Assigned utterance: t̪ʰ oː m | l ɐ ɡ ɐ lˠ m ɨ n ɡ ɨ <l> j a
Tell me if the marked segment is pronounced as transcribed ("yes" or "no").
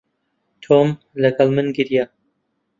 no